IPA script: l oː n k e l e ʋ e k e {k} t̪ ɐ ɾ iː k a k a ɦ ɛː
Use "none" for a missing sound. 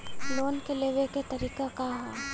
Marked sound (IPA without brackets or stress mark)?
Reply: none